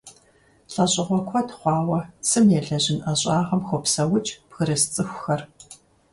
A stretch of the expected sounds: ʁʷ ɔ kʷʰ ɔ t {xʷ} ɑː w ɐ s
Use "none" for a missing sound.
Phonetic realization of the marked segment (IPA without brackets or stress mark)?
χʷ